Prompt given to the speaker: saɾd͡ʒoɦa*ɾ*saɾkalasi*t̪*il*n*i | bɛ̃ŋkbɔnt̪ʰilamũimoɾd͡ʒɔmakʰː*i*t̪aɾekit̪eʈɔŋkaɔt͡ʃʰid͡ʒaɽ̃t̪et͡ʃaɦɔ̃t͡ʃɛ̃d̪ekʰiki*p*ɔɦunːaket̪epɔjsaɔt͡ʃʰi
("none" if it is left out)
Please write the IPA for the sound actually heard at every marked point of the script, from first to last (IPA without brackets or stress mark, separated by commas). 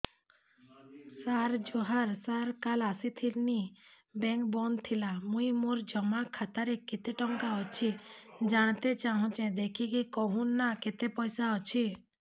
ɾ, t̪ʰ, n, a, k